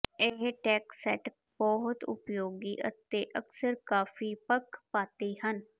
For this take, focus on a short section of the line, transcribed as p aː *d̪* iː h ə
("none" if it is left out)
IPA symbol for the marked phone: t̪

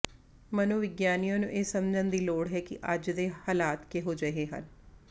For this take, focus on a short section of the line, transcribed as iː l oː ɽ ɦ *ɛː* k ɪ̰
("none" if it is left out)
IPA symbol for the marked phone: ɛː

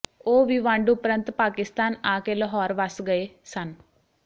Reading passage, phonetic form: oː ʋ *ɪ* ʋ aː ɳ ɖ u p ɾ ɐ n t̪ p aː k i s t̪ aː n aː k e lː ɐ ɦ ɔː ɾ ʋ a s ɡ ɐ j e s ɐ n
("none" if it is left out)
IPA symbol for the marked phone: i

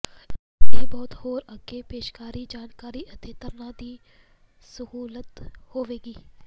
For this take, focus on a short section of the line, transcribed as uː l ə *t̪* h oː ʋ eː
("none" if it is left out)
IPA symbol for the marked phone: t̪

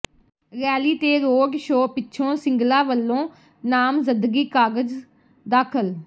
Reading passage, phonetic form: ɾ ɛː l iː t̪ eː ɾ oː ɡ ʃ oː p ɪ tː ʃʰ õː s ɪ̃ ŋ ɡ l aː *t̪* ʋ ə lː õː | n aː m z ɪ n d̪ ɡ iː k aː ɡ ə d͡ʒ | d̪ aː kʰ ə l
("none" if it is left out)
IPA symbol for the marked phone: none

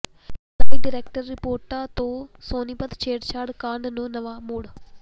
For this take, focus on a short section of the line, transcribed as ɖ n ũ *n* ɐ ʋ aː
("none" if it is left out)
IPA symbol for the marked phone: n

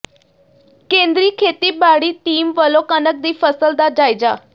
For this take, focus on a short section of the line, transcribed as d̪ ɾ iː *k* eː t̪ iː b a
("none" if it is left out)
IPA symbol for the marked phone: kʰ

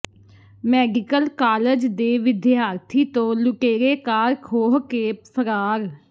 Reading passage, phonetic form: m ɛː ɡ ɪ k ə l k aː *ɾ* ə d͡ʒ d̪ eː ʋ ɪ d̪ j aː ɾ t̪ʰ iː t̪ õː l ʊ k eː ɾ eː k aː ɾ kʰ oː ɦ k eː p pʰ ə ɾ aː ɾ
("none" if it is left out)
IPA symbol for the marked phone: l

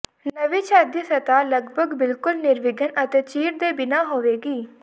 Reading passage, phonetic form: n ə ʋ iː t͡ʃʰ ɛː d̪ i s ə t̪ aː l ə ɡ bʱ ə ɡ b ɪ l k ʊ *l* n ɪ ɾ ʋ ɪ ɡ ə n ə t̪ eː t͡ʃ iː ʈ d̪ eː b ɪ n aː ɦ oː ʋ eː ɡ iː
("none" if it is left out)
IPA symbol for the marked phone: l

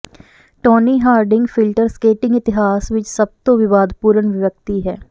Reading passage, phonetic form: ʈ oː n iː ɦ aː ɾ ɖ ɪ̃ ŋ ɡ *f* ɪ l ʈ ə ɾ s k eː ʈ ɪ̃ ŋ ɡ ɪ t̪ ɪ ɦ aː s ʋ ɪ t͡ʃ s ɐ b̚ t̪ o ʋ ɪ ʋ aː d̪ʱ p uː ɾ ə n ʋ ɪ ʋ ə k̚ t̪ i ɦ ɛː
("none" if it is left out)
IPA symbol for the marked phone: f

